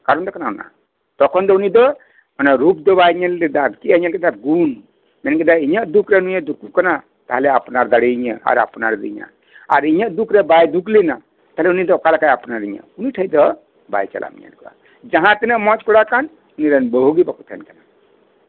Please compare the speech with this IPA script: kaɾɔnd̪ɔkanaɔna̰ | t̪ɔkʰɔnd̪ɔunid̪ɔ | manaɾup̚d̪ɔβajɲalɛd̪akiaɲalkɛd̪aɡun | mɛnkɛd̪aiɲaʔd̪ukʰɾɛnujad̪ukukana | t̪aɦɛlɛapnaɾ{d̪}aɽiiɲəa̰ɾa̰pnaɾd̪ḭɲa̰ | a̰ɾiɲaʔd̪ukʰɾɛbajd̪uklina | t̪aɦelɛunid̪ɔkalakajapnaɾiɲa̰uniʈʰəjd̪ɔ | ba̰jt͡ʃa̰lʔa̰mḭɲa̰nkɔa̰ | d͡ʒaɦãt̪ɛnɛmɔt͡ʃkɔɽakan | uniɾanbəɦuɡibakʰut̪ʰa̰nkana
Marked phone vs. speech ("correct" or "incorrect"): correct